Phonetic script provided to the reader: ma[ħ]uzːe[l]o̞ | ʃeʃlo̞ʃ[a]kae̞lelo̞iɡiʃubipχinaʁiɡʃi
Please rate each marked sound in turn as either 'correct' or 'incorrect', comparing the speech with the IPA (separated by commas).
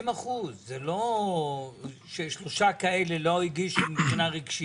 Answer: incorrect, correct, correct